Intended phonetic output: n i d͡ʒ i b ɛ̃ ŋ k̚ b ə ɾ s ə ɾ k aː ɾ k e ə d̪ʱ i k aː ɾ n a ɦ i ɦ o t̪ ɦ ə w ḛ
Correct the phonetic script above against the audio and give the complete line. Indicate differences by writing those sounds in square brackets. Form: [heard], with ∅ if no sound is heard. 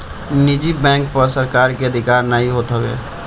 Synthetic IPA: n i d͡ʒ i b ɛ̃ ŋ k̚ [p] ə ɾ s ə ɾ k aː ɾ k e ə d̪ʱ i k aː ɾ n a ɦ i ɦ o t̪ ɦ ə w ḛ